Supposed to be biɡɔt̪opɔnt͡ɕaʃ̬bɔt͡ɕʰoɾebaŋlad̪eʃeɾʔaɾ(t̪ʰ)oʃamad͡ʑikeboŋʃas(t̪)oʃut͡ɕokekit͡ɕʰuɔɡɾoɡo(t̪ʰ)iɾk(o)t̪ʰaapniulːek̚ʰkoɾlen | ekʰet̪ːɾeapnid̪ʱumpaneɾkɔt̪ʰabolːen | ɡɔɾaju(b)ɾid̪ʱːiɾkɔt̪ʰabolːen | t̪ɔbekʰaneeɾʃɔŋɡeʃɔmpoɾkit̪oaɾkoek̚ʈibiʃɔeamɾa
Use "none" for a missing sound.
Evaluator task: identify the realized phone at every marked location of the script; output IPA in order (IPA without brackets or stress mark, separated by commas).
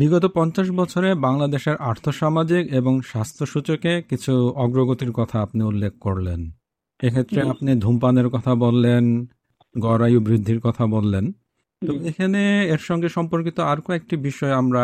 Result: t̪ʰ, t̪ʰ, t̪, ɔ, b